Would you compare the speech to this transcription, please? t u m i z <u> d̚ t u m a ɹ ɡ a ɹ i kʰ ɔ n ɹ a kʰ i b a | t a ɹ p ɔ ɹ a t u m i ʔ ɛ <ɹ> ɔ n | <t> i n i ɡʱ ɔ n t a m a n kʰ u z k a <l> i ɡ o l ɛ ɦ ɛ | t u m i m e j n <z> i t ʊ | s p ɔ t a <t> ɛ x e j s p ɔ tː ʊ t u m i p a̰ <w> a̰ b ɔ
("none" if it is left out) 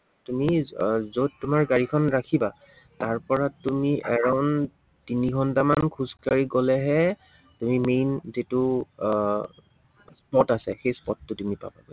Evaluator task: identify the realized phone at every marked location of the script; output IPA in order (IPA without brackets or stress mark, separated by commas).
o, ɹ, t, ɹ, z, s, b